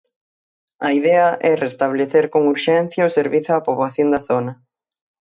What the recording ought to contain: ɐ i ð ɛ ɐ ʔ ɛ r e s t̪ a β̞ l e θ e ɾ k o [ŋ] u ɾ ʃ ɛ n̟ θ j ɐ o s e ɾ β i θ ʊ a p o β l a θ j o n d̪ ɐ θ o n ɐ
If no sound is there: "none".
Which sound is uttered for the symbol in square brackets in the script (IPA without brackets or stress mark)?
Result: ŋ